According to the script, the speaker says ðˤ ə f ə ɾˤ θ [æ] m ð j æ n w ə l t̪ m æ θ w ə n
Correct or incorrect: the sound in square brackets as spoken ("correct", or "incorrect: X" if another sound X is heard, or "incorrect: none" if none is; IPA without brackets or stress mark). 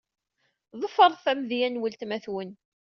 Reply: correct